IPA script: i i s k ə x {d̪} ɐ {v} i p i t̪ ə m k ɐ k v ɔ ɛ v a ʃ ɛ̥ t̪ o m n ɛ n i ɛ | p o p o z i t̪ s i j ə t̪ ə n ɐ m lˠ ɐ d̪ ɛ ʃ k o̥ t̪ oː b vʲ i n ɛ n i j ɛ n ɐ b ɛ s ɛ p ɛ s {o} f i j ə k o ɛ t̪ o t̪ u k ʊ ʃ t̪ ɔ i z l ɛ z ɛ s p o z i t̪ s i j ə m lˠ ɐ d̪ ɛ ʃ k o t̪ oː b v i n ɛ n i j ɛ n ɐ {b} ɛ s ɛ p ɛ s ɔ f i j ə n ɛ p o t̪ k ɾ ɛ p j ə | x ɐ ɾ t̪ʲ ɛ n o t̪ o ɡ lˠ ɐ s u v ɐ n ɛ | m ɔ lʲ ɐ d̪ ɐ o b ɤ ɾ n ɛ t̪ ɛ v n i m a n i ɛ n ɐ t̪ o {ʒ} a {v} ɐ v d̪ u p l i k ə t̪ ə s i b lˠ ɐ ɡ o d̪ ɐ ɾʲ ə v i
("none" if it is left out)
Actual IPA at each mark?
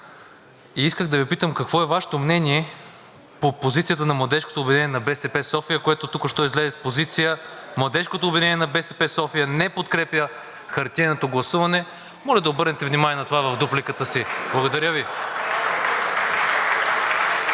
d̪, v, ɔ, b, v, v

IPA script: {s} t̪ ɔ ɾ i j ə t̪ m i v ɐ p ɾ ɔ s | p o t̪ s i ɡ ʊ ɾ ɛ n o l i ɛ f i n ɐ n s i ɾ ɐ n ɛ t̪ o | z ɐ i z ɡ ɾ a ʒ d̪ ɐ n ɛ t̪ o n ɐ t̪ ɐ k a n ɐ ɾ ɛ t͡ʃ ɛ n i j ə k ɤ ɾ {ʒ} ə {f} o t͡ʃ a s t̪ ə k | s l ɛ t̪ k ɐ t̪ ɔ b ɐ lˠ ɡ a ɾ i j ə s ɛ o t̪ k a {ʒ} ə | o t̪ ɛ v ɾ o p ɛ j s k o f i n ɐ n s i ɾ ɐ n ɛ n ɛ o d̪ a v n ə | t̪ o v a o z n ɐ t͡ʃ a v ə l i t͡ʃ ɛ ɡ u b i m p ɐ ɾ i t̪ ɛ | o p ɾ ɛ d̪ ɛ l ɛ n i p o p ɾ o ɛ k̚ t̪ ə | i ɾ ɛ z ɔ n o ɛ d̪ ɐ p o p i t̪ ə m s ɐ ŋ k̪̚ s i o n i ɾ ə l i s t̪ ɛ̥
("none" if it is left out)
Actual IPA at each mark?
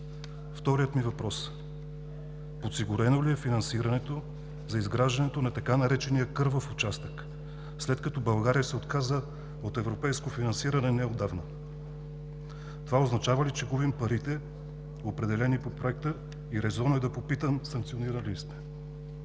f, v, f, z

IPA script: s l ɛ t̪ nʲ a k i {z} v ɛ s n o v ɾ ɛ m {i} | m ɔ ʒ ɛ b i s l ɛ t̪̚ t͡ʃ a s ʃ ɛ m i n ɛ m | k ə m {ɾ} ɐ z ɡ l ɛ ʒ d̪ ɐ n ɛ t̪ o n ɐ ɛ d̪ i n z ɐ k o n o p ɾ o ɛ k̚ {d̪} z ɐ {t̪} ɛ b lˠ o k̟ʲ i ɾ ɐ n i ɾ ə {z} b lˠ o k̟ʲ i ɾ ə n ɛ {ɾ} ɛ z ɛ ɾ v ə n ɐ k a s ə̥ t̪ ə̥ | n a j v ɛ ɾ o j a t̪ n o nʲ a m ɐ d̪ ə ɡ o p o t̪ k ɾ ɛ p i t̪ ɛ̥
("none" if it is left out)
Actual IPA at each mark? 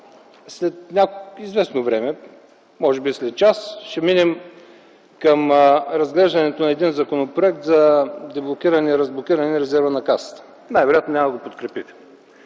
z, ɛ, ɾ, t̪, d̪, z, ɾ

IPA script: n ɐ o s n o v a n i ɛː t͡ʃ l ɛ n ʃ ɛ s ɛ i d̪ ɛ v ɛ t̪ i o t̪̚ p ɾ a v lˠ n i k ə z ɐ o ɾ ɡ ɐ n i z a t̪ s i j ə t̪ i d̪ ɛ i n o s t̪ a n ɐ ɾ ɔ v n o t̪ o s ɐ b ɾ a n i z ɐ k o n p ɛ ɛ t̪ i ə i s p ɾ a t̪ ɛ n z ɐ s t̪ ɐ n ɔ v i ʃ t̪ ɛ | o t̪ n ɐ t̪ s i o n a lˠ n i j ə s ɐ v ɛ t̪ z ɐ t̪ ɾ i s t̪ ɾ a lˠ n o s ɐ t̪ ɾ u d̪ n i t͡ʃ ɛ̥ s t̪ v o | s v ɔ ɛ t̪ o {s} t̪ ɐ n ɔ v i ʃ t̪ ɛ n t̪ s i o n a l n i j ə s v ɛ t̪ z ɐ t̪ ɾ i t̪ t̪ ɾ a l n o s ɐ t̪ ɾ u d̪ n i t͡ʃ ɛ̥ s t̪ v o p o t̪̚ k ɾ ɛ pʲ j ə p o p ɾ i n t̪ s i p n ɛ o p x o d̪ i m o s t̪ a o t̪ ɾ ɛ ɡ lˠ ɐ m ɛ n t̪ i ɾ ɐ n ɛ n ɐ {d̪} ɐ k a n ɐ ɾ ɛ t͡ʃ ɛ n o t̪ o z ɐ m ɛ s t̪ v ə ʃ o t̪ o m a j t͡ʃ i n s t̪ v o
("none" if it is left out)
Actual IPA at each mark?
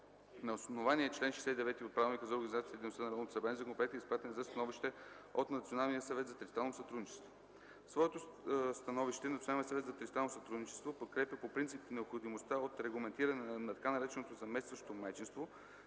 s, t̪

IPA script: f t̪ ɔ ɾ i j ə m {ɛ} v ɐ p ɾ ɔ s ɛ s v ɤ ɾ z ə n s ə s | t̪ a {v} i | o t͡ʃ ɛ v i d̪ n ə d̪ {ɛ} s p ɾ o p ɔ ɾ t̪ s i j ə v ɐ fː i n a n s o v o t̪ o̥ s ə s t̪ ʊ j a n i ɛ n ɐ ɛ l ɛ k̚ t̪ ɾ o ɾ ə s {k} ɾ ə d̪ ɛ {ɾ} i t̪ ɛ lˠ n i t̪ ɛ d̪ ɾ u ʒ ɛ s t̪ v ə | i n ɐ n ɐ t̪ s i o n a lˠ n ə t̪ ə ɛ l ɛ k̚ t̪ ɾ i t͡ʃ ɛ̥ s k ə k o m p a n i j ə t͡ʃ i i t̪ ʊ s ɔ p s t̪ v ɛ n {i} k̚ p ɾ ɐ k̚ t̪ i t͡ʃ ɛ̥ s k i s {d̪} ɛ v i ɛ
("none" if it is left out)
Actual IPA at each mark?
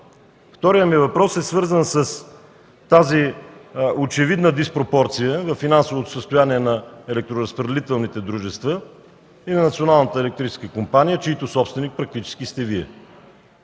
i, z, i, p, l, i, t̪

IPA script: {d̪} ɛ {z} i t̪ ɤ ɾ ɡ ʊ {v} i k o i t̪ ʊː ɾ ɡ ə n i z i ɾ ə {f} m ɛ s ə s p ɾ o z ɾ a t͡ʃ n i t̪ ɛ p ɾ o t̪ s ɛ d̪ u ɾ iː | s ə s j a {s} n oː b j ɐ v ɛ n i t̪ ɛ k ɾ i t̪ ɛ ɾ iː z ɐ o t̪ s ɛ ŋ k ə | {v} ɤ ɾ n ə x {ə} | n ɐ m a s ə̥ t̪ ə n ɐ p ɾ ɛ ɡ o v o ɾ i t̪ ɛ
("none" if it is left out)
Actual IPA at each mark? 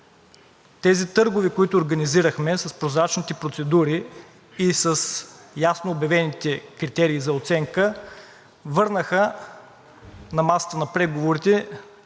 t̪, z, v, x, s, v, ə

